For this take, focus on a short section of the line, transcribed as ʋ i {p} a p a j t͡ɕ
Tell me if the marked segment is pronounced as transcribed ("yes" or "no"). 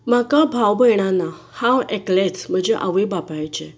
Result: no